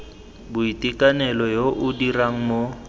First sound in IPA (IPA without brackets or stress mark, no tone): b